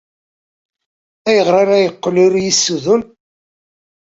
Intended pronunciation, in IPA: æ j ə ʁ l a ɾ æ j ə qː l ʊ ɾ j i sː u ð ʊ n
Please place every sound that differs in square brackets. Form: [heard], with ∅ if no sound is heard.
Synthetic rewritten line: æ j ə ʁ [ɾ] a ɾ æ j ə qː l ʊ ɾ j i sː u ð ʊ n